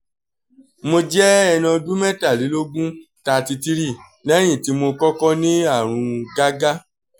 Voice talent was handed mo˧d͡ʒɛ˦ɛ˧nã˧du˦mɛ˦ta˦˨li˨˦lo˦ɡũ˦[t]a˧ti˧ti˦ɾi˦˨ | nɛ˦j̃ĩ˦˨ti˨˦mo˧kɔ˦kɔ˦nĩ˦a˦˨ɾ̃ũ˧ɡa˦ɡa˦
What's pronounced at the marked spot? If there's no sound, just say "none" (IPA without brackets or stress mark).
t